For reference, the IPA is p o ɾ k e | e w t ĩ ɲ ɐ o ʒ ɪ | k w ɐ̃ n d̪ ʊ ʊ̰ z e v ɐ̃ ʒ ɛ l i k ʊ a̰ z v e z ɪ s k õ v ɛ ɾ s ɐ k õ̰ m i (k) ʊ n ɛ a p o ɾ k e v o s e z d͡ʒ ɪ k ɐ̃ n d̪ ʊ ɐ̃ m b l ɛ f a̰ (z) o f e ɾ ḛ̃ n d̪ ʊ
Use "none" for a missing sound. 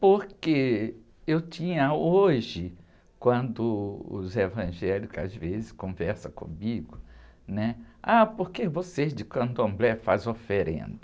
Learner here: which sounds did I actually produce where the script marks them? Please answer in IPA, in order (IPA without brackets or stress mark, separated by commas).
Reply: ɡ, z